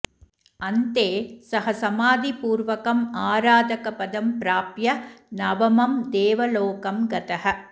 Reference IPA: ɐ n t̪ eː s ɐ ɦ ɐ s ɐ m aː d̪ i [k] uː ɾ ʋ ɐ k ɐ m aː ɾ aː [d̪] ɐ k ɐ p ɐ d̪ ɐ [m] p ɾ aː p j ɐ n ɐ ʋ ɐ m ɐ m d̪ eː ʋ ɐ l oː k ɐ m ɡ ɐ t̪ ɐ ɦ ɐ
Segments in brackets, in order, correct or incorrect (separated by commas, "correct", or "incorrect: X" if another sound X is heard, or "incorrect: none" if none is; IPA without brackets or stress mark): incorrect: p, correct, correct